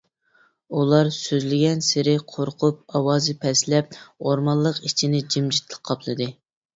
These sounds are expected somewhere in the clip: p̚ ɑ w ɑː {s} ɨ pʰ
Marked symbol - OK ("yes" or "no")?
no